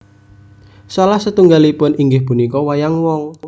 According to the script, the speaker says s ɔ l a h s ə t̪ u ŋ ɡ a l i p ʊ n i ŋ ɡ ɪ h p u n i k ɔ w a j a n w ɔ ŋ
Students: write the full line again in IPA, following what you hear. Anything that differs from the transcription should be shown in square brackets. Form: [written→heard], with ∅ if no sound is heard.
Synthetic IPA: s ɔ l a h s ə t̪ u ŋ ɡ a l i p ʊ n i ŋ ɡ ɪ h p u n i k ɔ w a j a [n→ŋ] w ɔ ŋ